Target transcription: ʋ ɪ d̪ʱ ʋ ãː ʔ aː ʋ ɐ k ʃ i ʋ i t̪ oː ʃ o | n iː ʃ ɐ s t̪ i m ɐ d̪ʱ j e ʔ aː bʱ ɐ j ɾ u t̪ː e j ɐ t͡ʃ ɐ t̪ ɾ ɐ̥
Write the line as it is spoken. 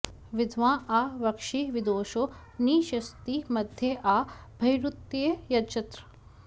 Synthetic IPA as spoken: ʋ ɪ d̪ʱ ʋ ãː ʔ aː ʋ ɐ k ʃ i ʋ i d̪ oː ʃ o | n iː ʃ ɐ s t̪ i m ɐ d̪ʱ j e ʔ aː bʱ ɐ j ɾ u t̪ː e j ɐ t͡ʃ ɐ t̪ ɾ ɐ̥